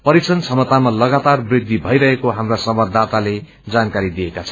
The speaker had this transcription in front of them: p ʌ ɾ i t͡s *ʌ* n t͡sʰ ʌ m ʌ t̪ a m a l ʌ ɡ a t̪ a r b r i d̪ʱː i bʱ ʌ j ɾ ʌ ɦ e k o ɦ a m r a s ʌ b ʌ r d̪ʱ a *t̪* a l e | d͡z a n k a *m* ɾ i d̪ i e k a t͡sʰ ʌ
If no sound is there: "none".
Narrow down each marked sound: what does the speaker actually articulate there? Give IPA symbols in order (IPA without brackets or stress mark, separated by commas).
ʌ, t̪, none